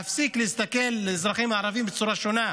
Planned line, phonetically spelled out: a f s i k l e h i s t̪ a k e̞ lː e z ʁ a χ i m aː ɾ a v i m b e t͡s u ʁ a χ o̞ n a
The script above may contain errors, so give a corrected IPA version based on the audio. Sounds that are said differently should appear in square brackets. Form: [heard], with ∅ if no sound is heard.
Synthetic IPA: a f s i k l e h i s t̪ a k e̞ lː e z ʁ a χ i m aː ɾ a v i m b e t͡s u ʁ a [ʃ] o̞ n a

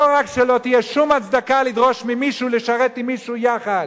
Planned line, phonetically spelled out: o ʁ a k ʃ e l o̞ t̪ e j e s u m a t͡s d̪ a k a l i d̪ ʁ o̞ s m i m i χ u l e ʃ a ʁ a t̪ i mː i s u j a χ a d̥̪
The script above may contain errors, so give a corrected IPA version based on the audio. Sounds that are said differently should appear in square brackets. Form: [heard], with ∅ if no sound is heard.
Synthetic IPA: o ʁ a k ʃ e l o̞ t̪ [i] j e [ʃ] u m a t͡s d̪ a k a l i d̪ ʁ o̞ [ʃ] m i m i [ʃ] u l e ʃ a ʁ [e] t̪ i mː i [ʃ] u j a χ a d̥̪

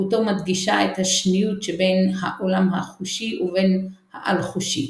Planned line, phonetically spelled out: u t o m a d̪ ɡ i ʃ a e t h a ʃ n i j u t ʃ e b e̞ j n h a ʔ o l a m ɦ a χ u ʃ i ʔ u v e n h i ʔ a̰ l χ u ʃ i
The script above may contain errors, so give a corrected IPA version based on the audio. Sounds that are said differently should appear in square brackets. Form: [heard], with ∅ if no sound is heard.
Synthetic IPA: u t o m a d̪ ɡ i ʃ a e t h a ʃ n i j u t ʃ e b e̞ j n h a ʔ o l a m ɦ a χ u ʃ i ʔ u v e n h [a] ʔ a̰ l χ u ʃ i

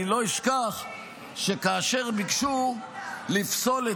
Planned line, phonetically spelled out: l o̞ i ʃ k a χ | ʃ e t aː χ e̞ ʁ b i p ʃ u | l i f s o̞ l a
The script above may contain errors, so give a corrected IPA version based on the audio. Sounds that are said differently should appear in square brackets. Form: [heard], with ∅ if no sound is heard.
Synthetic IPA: l o̞ i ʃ k a χ | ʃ e [k] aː [ʃ] e̞ ʁ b i [k] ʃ u | l i f s o̞ l [e]

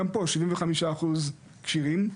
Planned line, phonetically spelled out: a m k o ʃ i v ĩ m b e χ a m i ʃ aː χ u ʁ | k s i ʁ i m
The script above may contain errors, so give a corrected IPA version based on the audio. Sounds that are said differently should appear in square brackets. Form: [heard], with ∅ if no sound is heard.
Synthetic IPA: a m [p] o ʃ i v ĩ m [v] e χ a m i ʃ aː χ u [z] | k [ʃ] i ʁ i m

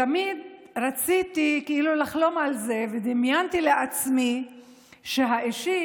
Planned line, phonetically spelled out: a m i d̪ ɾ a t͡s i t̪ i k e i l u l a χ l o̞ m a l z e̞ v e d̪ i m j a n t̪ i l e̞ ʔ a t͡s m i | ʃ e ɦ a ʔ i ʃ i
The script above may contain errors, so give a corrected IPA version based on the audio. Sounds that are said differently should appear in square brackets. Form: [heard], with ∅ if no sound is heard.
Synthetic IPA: a m i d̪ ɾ a t͡s i t̪ i k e i l u l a χ l o̞ m a l z e̞ v e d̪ i m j a n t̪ i l e̞ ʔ a t͡s m i | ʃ e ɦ a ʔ i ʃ i

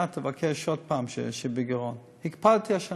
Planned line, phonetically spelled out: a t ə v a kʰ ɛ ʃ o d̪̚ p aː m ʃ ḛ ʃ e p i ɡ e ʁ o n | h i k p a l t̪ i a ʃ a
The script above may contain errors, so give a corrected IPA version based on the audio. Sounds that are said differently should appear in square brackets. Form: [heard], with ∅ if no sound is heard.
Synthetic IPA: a t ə v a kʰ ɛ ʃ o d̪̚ p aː m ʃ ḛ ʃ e [b] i ɡ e ʁ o n | h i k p a l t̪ i a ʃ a

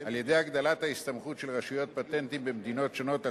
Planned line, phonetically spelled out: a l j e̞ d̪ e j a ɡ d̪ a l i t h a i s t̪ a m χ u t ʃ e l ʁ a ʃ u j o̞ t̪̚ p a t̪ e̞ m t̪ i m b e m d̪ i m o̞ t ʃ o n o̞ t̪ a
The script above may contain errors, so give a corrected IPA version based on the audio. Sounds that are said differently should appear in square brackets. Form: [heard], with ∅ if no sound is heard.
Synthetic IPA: a l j e̞ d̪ e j a ɡ d̪ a l [a] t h a i s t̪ a m χ u t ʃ e l ʁ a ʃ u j o̞ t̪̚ p a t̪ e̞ [n] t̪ i m b e m d̪ i [n] o̞ t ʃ o n o̞ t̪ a

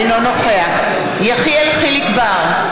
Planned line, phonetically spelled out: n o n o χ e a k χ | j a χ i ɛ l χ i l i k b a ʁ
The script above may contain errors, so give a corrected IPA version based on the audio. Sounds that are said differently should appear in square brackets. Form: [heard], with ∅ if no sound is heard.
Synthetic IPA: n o n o χ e a [∅] χ | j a χ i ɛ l χ i l i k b a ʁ

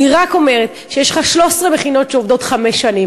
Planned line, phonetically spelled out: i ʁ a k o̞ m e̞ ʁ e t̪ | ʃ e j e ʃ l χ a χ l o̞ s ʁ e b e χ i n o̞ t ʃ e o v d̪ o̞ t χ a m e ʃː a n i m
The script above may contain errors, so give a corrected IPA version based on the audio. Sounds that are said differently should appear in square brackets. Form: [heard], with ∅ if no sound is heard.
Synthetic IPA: i ʁ a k o̞ m e̞ ʁ e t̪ | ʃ e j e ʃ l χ a [ʃ] l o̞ s ʁ e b e χ i n o̞ t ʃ e o v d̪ o̞ t χ a m e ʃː a n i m

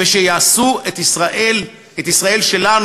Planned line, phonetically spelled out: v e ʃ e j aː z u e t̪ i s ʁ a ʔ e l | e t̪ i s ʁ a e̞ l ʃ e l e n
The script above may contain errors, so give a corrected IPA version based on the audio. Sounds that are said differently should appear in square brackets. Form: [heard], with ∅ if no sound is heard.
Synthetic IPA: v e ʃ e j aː [s] u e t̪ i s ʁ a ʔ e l | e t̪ i s ʁ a e̞ l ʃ e l [a] n

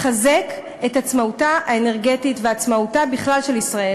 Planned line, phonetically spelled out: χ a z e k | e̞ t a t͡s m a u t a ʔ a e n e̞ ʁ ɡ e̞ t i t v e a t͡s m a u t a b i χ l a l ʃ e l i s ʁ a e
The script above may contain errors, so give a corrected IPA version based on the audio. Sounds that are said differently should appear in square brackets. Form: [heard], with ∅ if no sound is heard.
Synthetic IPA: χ a z e k | e̞ t a t͡s m a u t a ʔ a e n e̞ ʁ ɡ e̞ t i t v e a t͡s m a u t a b i χ l a l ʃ e l i s ʁ a e

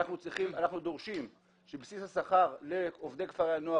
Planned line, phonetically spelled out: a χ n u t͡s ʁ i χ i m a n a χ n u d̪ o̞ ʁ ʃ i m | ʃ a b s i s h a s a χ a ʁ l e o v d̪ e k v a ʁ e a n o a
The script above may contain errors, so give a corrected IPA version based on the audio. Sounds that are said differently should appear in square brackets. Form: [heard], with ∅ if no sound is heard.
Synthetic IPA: a χ n u t͡s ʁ i χ i m a n a χ n u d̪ o̞ ʁ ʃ i m | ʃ [e] b s i s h a s a χ a ʁ l e o v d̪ e k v a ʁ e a n o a

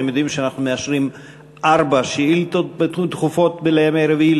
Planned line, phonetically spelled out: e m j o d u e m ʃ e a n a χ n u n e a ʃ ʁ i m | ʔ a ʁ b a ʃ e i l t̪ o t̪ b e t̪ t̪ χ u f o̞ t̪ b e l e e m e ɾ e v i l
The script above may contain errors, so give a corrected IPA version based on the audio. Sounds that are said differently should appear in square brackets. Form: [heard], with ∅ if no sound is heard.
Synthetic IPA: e m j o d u [i] m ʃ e a n a χ n u [m] e a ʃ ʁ i m | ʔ a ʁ b a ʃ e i l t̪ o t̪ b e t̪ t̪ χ u f o̞ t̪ b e l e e m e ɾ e v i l

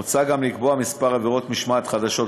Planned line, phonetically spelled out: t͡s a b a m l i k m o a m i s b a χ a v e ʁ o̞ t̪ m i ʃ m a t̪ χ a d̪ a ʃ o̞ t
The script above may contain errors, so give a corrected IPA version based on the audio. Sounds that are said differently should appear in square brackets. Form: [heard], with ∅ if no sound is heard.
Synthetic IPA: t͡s a [ɡ] a m l i k [b] o a m i s [p] a [ʁ] a v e ʁ o̞ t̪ m i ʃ m a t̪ χ a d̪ a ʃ o̞ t

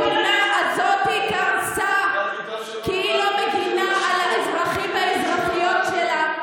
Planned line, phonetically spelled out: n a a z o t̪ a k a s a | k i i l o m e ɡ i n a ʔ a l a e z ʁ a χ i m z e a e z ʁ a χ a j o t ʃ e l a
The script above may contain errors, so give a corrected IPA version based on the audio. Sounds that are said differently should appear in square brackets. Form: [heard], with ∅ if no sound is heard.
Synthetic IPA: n a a z o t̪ [i] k a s a | k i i l o m e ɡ i n a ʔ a l a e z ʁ a χ i m [v] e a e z ʁ a χ [i] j o t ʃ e l a

